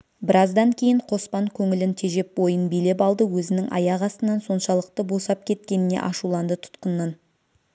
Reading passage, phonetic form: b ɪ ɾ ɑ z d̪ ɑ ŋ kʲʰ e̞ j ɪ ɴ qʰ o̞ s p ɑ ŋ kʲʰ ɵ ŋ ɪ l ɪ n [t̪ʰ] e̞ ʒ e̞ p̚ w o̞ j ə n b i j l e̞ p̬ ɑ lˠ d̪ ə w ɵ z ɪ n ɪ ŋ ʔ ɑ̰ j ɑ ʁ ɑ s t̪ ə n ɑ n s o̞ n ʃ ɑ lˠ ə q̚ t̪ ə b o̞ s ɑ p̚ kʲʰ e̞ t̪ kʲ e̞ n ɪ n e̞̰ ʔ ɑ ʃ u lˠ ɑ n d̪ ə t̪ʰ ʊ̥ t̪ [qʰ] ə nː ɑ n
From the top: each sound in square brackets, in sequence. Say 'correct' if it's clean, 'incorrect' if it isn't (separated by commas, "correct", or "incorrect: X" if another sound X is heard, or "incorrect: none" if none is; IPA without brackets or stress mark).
correct, incorrect: q